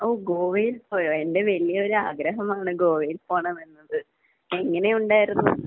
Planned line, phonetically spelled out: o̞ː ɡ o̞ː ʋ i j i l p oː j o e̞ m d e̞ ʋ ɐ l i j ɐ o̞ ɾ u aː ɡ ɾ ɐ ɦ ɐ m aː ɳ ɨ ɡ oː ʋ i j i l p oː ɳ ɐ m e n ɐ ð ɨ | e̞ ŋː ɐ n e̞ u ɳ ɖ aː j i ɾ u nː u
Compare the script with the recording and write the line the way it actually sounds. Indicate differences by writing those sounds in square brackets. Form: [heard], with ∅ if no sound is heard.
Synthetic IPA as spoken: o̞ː ɡ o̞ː ʋ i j i l p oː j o e̞ [n] d e̞ ʋ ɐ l i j ɐ o̞ ɾ u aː ɡ ɾ ɐ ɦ ɐ m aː ɳ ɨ ɡ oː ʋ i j i l p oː ɳ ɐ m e [nː] ɐ ð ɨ | e̞ ŋː ɐ n e̞ u ɳ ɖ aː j i ɾ u nː u

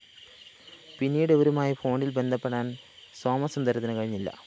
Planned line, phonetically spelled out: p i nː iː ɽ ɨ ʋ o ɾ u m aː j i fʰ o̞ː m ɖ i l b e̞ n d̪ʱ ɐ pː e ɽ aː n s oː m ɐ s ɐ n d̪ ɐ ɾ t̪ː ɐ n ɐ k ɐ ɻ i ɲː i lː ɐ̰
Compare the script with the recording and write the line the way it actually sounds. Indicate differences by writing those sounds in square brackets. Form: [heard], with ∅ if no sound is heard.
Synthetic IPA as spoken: p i nː iː ɽ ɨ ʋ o ɾ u m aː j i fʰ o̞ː [ɳ] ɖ i l b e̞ n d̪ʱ ɐ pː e ɽ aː n s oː m ɐ s ɐ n d̪ ɐ ɾ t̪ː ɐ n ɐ k ɐ ɻ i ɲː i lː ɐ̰

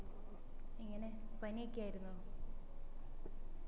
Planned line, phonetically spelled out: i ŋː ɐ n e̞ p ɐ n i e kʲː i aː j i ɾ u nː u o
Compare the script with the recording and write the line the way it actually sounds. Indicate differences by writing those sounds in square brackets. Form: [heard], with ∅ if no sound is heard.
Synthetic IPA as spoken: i ŋː ɐ n e̞ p ɐ n i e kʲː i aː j i ɾ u nː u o

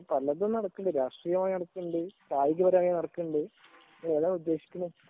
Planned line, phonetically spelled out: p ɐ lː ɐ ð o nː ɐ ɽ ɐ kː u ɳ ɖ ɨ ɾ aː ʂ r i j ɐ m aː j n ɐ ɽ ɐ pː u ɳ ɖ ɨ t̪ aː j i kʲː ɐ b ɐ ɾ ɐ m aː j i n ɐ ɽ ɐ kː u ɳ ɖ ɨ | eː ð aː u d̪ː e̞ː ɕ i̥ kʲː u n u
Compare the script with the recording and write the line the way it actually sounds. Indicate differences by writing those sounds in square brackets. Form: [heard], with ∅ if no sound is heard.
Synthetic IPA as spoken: p ɐ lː ɐ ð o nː ɐ ɽ ɐ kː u ɳ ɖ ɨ ɾ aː ʂ r i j ɐ m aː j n ɐ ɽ ɐ [kː] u ɳ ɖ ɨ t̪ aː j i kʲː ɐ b ɐ ɾ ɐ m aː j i n ɐ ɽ ɐ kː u ɳ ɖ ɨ | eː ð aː u d̪ː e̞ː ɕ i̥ kʲː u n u

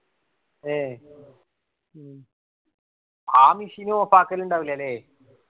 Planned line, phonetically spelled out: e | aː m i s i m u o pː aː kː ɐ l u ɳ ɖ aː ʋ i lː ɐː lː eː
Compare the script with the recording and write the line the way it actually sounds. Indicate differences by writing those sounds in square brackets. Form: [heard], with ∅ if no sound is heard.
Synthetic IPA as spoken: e | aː m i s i [n] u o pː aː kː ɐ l u ɳ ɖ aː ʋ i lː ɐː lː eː

